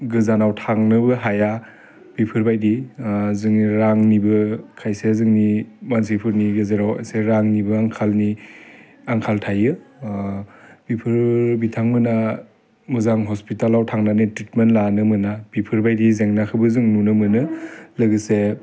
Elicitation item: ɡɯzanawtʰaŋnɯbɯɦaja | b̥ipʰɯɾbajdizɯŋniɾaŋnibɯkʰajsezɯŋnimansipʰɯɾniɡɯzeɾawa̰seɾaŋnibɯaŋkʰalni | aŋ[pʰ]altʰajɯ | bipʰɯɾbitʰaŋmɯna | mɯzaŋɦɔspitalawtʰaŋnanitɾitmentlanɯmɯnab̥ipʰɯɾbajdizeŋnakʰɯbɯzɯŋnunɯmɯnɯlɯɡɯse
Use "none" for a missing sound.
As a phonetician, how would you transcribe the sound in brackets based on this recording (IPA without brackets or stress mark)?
kʰ